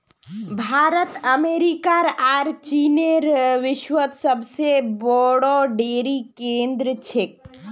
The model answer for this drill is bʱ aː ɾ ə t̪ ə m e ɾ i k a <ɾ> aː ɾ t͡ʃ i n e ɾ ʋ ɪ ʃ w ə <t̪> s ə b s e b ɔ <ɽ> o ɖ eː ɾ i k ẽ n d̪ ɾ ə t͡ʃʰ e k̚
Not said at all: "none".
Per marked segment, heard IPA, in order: ɾ, t̪, ɽ

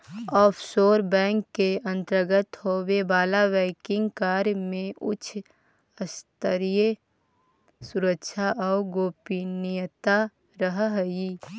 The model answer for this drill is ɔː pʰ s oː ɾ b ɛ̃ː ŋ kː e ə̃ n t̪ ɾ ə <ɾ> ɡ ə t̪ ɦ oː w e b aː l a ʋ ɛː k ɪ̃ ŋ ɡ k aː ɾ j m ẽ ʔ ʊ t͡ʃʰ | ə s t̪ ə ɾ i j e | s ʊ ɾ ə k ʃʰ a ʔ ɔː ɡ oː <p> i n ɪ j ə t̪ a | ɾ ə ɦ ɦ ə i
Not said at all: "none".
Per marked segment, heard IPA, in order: ɾ, p

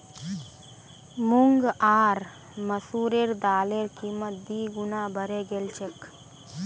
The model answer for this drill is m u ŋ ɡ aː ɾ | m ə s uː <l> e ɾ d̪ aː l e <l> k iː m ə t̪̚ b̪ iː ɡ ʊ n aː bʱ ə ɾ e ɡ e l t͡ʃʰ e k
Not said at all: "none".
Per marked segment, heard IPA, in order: ɾ, ɾ

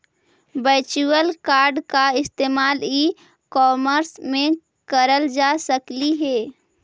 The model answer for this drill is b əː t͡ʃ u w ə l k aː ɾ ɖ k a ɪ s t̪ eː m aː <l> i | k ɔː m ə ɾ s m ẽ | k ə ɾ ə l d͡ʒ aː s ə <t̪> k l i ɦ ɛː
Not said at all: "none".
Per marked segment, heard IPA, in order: l, none

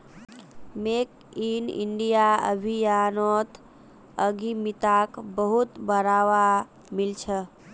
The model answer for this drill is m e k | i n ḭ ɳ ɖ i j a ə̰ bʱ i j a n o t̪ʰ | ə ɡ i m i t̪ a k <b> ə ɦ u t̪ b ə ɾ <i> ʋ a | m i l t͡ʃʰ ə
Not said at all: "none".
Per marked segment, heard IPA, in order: b, a

